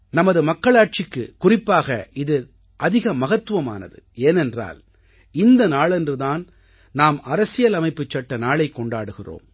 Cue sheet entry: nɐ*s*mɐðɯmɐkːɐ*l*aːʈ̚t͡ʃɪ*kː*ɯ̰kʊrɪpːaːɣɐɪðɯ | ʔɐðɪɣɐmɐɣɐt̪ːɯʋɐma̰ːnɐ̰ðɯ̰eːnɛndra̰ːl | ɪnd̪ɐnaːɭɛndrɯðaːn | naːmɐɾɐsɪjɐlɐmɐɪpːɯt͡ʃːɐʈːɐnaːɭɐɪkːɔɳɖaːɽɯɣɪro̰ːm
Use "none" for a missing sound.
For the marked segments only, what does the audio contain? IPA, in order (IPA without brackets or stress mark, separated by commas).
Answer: none, ɭ, kː